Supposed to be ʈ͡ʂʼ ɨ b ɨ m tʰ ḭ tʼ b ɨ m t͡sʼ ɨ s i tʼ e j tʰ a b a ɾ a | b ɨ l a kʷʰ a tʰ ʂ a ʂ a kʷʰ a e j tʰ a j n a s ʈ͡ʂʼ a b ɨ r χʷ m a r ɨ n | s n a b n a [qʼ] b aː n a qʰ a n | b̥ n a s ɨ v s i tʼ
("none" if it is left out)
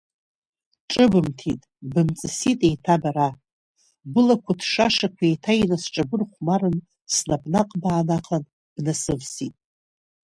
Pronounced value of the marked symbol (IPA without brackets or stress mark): qʼ